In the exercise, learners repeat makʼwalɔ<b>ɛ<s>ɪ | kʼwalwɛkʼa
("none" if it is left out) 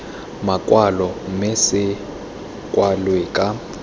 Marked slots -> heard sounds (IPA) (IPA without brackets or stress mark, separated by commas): m, s